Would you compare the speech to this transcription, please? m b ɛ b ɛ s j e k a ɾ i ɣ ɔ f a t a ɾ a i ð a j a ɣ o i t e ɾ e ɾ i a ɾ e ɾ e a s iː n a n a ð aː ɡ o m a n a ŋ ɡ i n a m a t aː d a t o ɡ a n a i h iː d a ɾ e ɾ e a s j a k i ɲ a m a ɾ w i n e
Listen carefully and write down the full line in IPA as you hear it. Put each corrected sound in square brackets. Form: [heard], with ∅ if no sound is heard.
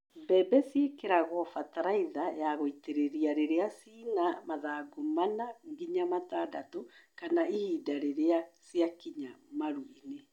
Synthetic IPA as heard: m b ɛ b ɛ s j e k [e] ɾ [a] ɣ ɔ f a t a ɾ a i ð a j a ɣ o i t e ɾ e ɾ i a ɾ e ɾ e a s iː n a [m] a ð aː ɡ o m a n a ŋ ɡ i [ɲ] a m a t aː d a t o [k] a n a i h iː d a ɾ e ɾ e a s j a k i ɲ a m a ɾ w i n e